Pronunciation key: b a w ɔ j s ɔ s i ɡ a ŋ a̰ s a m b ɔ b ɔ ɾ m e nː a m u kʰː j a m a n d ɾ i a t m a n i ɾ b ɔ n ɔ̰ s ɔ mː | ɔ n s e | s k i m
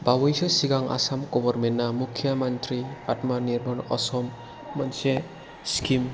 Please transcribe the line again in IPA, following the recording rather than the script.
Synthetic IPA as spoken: b a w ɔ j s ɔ s i ɡ a ŋ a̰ s a m ɡ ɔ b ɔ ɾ m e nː a m u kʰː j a m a n t ɾ i a t m a n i ɾ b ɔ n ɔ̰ s ɔ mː | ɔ n s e | s k i m